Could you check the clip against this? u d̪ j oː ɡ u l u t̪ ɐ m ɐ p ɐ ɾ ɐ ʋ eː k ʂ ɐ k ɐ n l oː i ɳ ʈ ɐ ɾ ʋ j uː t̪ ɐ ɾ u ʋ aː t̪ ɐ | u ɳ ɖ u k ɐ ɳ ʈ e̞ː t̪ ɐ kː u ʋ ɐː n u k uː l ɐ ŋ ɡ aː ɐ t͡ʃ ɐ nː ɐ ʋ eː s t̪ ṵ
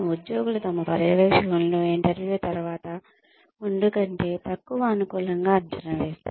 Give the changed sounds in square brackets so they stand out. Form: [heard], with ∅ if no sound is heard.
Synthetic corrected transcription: u d̪ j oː ɡ u l u t̪ ɐ m ɐ p ɐ ɾ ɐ ʋ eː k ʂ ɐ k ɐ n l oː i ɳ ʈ ɐ ɾ ʋ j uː t̪ ɐ ɾ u ʋ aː t̪ ɐ | u ɳ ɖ u k ɐ ɳ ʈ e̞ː t̪ ɐ kː u ʋ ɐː n u k uː l ɐ ŋ ɡ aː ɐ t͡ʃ ɐ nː ɐ ʋ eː s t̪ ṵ